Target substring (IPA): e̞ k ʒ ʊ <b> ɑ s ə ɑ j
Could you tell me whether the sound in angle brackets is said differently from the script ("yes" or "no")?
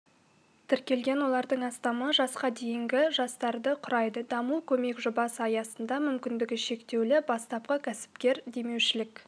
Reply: no